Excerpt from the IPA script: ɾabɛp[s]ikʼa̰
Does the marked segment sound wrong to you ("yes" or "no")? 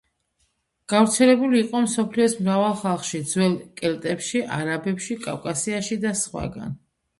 yes